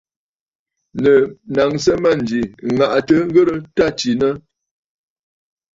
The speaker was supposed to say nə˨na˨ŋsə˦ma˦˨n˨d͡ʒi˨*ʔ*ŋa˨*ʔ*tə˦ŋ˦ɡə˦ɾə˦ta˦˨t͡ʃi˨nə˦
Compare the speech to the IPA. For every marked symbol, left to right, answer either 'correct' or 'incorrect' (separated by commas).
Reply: incorrect, correct